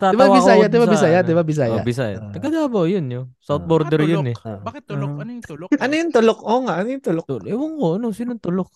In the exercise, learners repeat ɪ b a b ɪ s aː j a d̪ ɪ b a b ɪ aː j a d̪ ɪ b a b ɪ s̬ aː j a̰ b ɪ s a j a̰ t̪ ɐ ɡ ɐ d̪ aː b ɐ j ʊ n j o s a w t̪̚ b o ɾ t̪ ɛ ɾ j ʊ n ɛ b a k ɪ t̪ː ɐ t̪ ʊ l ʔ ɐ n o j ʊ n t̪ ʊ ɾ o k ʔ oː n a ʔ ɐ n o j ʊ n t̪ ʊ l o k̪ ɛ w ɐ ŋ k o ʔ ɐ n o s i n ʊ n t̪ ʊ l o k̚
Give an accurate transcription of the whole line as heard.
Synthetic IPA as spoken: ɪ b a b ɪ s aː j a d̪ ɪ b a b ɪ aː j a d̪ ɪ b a b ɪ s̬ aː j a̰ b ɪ s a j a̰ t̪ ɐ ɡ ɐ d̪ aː b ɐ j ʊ n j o s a w t̪̚ b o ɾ d̪ ɛ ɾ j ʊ n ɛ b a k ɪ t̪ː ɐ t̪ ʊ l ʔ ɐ n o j ʊ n t̪ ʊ l o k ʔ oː ŋ a ʔ ɐ n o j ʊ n t̪ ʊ l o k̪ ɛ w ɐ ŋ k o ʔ ɐ n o s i n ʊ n t̪ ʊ l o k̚